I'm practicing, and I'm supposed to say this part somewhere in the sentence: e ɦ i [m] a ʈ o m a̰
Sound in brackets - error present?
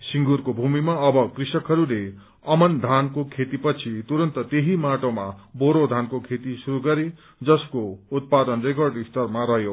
no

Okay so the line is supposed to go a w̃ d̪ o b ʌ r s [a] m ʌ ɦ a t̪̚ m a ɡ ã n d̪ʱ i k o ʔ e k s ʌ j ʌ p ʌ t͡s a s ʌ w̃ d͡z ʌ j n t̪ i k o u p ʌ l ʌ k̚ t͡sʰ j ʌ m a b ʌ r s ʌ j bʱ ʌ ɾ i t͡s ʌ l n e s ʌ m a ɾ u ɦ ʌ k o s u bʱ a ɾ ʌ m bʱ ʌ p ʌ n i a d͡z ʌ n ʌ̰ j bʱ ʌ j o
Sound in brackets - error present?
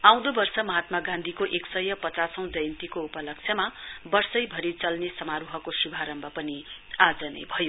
yes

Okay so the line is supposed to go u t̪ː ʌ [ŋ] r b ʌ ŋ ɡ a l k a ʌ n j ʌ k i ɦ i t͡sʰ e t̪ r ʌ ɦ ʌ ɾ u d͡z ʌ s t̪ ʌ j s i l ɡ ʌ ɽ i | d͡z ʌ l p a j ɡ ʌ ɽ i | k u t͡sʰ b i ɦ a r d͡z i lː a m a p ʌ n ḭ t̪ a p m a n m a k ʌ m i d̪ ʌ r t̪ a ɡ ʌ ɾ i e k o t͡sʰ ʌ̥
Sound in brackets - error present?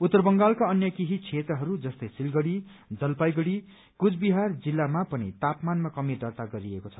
yes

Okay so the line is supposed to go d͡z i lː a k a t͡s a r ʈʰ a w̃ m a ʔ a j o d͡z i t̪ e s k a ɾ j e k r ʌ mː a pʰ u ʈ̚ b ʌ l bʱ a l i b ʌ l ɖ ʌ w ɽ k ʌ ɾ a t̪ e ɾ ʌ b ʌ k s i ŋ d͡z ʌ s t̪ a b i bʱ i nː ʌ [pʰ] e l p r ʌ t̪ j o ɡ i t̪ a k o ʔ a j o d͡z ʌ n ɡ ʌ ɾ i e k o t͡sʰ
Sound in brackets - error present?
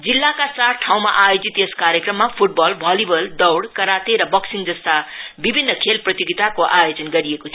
yes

